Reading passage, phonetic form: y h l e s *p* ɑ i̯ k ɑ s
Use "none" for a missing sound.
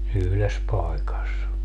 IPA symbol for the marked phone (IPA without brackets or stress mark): p